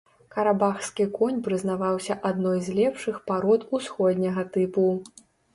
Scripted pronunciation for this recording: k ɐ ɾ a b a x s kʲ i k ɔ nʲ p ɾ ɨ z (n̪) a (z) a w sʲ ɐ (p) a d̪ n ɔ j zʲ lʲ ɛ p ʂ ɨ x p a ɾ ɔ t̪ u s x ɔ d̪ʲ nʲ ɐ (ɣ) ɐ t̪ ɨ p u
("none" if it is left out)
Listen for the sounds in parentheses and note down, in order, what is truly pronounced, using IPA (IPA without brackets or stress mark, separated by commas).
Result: n̪, v, ʔ, ɣ